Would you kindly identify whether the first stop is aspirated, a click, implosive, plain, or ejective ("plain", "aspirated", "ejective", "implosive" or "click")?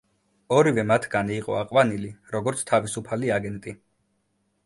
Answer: aspirated